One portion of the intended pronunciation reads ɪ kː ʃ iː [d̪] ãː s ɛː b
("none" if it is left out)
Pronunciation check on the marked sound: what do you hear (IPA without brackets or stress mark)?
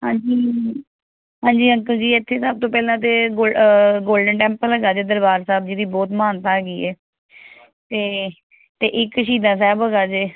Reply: d̪